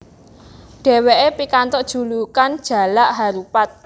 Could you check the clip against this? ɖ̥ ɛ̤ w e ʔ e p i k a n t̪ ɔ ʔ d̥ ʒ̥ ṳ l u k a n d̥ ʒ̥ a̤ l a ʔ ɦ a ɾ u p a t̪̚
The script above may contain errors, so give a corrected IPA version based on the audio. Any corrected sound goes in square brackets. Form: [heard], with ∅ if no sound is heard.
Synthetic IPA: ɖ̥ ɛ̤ w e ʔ e p i k a n t̪ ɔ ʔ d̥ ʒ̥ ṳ l u k a n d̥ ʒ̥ a̤ l a ʔ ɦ a ɾ u p a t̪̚